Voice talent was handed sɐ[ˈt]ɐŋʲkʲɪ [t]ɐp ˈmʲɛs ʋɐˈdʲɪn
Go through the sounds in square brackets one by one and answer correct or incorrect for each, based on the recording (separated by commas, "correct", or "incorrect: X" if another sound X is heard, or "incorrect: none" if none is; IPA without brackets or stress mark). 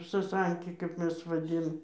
incorrect: s, incorrect: k